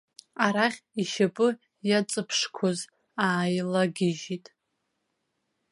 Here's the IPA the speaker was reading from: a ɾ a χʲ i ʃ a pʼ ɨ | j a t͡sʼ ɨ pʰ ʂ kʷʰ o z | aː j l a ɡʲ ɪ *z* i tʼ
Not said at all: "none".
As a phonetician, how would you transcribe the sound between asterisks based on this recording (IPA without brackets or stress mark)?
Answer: ʒ